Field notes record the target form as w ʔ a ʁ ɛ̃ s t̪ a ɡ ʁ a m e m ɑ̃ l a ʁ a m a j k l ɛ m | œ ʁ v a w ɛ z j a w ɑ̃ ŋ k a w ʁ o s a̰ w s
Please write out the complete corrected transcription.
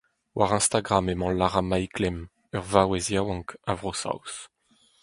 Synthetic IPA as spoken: w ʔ a ʁ ɛ̃ s t̪ a ɡ ʁ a m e m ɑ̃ l a ʁ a m a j k l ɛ m | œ ʁ v a w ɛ z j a w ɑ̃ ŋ k a v ʁ o s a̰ w s